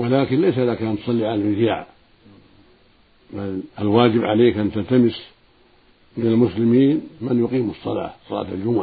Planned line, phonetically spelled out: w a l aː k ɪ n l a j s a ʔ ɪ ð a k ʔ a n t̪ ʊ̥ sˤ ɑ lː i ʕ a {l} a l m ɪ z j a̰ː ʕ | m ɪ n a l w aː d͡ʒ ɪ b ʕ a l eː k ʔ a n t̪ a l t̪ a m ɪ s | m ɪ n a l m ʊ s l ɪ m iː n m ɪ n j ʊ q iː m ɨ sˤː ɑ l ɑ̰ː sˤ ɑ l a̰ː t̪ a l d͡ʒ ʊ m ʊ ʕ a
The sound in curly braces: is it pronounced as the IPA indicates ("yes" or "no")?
yes